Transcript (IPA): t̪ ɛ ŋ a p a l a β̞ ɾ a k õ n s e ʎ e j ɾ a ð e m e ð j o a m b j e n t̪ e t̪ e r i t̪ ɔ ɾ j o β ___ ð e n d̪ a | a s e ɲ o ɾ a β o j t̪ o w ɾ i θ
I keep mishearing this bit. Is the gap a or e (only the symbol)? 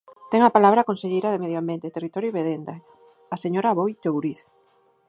e